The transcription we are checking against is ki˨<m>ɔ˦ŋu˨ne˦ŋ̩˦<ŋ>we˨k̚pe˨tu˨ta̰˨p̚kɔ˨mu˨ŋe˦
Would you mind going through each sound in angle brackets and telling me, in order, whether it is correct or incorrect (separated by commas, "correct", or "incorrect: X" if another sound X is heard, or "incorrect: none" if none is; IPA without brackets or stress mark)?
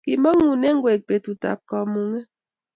correct, incorrect: ɡ